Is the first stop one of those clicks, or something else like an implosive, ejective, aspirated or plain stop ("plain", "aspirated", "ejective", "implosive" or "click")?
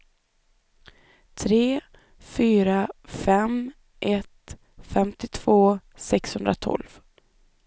aspirated